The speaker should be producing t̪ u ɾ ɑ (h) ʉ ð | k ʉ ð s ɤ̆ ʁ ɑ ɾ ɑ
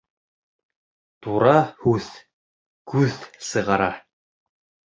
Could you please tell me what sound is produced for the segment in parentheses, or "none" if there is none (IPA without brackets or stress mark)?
h